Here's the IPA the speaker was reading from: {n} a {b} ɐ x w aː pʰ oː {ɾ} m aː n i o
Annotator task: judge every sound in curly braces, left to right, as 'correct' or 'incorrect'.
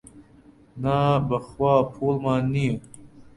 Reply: correct, correct, incorrect

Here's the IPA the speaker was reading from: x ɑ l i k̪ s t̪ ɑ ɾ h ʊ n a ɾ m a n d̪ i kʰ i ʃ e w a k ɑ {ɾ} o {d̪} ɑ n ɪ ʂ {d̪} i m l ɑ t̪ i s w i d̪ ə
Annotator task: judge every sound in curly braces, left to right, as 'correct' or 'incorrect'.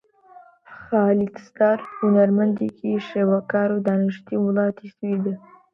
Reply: correct, correct, incorrect

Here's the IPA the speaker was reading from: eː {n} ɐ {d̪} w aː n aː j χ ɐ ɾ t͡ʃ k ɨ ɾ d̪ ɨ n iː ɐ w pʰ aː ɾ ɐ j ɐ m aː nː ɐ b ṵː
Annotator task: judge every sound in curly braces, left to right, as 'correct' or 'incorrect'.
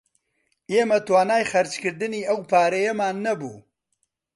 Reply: incorrect, incorrect

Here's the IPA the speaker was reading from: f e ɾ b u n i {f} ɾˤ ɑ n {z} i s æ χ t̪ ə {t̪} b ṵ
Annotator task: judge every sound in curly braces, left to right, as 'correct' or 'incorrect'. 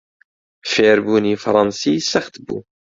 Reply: correct, incorrect, incorrect

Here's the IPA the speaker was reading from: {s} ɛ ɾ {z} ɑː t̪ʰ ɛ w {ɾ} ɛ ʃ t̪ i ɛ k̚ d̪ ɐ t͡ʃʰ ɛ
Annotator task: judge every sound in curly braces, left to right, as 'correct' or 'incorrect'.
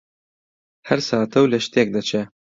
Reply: incorrect, incorrect, incorrect

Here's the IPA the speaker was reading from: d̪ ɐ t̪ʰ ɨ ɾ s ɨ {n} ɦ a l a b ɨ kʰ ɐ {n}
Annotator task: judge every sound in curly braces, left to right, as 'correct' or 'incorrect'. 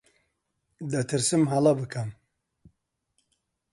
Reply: incorrect, incorrect

